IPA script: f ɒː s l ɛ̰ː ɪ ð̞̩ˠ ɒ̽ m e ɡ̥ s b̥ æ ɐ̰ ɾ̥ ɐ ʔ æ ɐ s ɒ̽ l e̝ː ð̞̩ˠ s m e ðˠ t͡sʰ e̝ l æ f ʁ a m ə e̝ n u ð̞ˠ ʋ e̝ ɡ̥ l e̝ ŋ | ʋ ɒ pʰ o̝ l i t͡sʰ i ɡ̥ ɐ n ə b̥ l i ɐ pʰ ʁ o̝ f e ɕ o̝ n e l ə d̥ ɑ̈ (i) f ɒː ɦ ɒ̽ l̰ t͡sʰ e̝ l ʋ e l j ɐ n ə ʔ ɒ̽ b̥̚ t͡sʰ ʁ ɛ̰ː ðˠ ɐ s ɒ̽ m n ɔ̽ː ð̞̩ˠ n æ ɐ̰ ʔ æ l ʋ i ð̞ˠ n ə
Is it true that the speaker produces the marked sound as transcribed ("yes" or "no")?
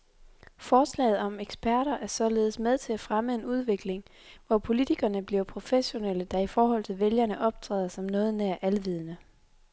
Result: yes